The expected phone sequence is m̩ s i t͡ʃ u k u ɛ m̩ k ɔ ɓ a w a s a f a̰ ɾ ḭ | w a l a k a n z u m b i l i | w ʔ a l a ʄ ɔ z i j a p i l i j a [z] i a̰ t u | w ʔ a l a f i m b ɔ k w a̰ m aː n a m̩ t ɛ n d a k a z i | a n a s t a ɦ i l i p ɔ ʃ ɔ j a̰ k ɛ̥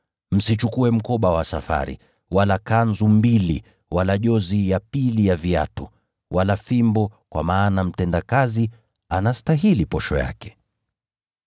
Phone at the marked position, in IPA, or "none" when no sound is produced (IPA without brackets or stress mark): v